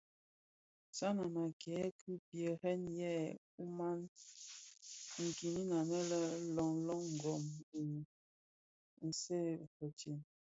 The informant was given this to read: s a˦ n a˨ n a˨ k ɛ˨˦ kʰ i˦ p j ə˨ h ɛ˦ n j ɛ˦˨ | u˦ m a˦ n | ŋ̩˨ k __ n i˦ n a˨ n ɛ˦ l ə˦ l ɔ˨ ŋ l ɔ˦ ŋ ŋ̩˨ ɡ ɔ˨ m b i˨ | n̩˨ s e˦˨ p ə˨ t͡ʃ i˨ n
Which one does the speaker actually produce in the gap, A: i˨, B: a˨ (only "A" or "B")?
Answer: A